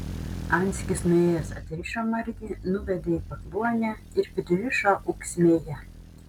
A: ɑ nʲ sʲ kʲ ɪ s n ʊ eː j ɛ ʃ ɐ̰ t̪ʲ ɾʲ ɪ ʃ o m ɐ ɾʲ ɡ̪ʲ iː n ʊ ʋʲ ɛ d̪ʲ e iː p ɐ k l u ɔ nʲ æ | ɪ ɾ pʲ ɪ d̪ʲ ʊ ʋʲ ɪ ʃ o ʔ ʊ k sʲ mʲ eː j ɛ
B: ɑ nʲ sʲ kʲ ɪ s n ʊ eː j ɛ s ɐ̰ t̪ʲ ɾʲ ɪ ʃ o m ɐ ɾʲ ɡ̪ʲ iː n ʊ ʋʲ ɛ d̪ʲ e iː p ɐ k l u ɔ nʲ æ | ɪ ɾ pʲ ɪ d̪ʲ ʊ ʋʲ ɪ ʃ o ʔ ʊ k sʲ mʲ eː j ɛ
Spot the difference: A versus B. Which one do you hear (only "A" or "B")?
B